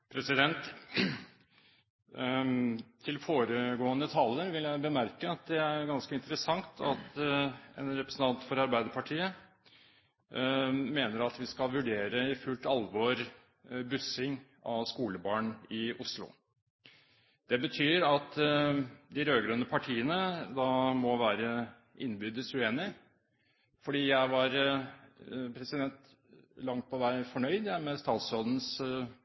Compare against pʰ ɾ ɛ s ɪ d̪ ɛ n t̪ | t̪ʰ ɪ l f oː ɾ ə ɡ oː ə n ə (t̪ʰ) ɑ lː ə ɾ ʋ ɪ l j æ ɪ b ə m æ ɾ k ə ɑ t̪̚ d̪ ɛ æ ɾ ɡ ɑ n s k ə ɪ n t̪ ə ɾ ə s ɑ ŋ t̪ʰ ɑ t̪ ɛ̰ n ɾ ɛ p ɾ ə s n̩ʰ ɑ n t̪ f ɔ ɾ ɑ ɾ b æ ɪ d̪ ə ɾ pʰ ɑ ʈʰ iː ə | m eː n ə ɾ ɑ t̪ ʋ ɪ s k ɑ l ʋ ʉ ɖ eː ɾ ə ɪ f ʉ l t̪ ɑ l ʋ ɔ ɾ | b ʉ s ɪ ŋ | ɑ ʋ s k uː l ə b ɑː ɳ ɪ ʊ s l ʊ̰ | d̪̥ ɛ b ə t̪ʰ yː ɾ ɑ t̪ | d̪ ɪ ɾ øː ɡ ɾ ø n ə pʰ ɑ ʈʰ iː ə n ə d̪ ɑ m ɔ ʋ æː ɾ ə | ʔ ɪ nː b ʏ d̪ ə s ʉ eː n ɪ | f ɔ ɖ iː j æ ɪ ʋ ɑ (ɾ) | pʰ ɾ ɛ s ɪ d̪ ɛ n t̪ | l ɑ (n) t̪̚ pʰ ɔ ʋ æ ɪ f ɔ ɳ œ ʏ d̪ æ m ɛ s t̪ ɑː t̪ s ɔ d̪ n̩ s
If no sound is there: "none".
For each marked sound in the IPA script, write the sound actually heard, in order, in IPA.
t̪ʰ, ɾ, ŋ

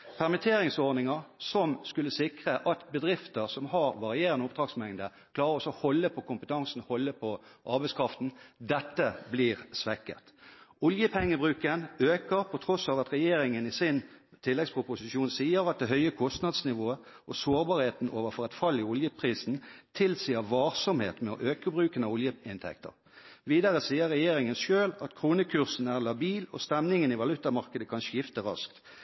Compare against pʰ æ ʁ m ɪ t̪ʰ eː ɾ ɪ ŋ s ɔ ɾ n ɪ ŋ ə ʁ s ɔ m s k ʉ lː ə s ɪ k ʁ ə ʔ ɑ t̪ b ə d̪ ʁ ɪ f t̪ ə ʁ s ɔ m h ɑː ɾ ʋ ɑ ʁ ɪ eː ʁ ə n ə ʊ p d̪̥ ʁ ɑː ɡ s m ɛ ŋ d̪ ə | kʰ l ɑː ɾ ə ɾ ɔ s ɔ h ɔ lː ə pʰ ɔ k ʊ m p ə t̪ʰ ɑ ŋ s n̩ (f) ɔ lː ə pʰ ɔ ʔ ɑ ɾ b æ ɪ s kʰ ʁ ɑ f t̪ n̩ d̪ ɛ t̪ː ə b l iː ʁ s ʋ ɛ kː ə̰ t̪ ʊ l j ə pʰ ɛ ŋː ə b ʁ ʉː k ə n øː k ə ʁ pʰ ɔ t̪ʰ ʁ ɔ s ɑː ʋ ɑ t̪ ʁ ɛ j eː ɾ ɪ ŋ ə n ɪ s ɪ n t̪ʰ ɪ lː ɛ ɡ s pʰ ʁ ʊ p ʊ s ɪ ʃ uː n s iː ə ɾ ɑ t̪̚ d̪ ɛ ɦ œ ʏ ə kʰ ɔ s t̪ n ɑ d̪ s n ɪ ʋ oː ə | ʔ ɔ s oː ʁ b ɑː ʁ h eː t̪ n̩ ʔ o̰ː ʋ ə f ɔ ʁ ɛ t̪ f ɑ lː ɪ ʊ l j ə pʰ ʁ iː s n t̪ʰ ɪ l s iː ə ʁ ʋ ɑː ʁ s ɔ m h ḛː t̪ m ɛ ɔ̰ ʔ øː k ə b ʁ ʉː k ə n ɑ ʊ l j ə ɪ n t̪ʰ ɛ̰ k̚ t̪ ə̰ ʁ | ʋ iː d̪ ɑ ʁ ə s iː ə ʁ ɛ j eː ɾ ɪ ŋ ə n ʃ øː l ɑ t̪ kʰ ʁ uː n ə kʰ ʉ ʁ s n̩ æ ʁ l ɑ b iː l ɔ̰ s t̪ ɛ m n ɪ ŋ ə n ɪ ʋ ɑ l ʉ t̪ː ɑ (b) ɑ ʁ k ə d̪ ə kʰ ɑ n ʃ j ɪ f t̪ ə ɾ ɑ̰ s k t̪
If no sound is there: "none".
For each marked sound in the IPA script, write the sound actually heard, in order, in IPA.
h, m

